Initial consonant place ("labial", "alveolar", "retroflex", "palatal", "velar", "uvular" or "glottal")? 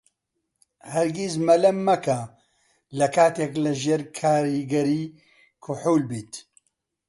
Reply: glottal